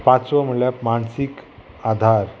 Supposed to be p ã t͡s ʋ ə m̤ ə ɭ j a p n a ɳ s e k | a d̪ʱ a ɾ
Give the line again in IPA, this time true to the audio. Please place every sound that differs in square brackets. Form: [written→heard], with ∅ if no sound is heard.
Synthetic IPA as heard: p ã t͡s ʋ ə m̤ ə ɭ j a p [n→m] a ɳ s [e→i] k | a d̪ʱ a ɾ